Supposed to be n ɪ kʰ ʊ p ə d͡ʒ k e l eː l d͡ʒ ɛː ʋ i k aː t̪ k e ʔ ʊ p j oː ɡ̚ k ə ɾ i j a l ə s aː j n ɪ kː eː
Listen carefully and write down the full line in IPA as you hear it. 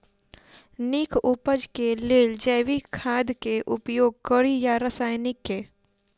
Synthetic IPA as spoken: n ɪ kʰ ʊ p ə d͡ʒ k e l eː l d͡ʒ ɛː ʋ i kʰ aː d̪ k e ʔ ʊ p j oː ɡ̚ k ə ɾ i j a ɾ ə s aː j n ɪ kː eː